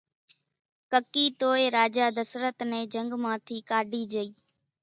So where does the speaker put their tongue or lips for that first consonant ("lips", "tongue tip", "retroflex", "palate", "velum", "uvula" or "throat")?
velum